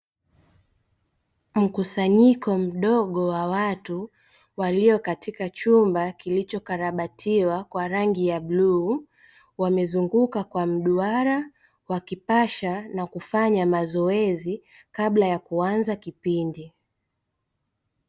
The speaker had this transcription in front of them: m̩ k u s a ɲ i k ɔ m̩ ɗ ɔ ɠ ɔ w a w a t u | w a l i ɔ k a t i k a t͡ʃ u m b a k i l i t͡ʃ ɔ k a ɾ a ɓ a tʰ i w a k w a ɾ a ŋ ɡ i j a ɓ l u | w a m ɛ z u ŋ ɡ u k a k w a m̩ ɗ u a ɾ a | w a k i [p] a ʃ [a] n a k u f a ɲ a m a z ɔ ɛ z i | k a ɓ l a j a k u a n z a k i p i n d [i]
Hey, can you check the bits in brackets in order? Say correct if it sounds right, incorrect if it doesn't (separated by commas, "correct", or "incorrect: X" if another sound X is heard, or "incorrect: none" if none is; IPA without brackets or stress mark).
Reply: correct, correct, correct